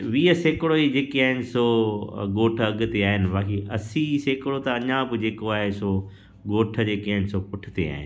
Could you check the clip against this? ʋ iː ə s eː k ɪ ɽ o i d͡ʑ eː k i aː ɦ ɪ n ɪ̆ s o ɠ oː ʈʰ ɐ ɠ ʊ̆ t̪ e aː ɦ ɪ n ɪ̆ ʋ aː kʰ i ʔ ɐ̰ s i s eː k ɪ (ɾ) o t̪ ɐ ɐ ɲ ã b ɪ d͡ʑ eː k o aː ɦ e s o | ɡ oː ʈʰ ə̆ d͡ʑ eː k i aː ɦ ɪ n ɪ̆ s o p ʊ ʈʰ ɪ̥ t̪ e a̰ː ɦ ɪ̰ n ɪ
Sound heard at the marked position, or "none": ɽ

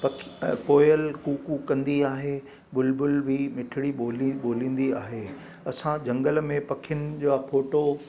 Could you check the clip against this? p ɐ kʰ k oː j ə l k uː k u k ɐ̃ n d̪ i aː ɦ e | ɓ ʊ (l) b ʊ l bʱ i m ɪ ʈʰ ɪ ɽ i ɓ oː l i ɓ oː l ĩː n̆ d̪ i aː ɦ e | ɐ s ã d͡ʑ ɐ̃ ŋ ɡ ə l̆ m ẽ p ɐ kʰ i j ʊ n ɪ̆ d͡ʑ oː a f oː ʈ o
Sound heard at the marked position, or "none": l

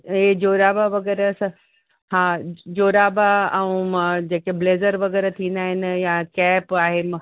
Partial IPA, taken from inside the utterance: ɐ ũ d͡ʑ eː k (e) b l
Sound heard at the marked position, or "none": e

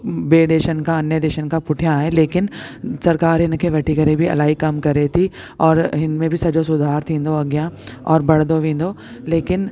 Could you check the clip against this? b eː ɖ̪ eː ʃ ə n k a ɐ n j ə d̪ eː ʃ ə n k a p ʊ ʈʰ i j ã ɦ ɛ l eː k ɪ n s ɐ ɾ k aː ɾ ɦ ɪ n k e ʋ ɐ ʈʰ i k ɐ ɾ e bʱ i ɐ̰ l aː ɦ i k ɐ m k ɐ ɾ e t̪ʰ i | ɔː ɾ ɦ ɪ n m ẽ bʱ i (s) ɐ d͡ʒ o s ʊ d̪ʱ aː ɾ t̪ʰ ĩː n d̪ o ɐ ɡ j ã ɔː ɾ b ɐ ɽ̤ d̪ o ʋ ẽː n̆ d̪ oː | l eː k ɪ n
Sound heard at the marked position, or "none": s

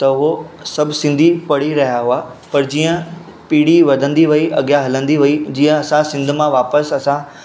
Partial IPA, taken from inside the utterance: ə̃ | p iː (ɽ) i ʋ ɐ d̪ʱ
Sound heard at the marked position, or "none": ɽ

